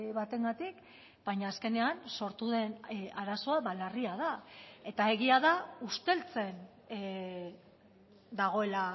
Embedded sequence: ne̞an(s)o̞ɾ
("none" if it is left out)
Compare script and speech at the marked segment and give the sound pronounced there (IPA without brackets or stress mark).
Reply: s